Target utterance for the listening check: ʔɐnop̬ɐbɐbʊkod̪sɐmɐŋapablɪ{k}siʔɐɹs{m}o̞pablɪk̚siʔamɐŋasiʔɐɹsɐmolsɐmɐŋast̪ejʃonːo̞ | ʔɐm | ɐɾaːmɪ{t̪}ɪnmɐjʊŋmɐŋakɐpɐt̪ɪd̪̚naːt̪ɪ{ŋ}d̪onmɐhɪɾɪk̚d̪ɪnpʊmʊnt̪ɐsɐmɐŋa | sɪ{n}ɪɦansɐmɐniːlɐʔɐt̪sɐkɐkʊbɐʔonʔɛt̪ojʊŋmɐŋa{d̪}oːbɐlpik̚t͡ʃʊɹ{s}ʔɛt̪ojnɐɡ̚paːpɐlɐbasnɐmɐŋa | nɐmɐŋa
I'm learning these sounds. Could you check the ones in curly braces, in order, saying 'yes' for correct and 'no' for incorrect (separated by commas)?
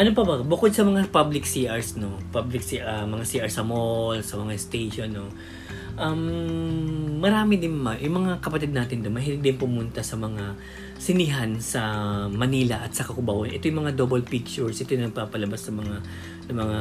yes, no, no, no, yes, yes, yes